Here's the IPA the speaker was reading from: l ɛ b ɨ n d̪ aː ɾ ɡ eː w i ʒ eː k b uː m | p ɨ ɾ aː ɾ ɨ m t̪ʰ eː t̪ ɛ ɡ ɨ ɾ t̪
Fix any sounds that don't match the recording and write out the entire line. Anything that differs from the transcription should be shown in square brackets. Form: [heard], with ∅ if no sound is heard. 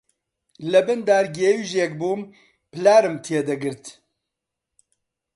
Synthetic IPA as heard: l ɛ b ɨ n d̪ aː ɾ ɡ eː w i ʒ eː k b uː m | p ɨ [l] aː ɾ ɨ m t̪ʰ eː [d̪] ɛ ɡ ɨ ɾ t̪